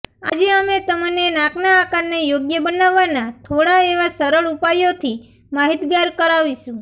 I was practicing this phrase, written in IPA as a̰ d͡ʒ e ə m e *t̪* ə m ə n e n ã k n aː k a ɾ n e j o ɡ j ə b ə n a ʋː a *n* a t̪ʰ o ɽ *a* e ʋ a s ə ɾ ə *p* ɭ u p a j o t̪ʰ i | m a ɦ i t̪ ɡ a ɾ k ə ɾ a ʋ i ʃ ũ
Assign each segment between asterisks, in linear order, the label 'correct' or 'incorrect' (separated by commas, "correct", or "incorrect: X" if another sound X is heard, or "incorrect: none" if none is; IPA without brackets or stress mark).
correct, correct, correct, incorrect: none